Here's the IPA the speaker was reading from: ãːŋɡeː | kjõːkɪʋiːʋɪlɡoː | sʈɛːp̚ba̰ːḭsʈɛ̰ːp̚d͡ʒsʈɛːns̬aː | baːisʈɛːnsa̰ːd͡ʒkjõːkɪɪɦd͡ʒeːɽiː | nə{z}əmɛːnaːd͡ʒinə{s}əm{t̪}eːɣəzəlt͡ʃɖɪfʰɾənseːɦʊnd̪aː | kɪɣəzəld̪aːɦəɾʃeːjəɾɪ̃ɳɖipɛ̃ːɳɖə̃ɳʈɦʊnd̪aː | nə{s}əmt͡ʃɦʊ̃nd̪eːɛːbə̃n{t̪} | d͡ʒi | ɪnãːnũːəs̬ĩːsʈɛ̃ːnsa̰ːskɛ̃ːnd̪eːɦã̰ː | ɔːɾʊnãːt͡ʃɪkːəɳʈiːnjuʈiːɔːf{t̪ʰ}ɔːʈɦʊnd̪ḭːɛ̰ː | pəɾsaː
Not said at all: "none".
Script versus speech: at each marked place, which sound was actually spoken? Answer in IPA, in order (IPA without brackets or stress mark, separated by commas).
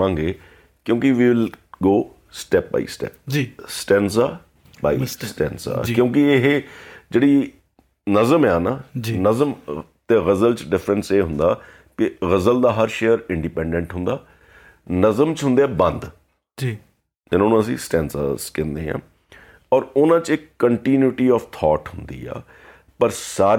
z, z, t̪, z, d̪, t̪ʰ